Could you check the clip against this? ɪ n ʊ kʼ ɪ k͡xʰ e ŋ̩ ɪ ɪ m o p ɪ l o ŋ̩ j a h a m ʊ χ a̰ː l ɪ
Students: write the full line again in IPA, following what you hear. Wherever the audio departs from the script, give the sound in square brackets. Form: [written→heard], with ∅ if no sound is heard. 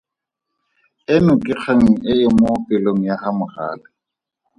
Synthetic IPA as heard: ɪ n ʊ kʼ ɪ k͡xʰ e ŋ̩ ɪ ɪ m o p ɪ l o ŋ̩ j a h a m ʊ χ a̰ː l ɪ